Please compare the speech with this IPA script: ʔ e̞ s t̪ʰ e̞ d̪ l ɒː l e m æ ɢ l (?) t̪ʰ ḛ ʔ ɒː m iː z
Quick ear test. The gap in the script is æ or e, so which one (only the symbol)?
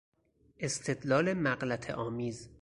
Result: æ